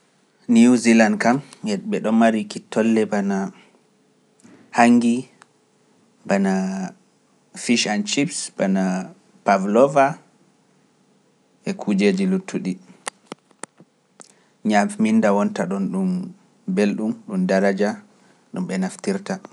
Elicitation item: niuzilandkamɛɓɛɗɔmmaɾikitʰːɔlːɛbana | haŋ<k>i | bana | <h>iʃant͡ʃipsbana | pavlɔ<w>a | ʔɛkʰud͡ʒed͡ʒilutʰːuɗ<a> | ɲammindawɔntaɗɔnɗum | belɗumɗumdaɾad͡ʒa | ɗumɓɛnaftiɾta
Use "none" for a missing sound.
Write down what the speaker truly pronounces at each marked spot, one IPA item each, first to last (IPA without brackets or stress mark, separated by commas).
ɡ, f, v, i